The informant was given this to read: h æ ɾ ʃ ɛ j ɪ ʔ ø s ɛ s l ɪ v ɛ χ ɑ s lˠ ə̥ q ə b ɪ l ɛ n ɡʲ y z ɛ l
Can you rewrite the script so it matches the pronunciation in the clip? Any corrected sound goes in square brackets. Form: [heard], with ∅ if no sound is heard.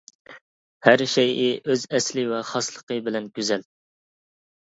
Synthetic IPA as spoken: h æ ɾ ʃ ɛ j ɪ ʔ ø [z] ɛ s l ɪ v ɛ χ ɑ s lˠ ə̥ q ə b ɪ l ɛ n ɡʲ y z ɛ l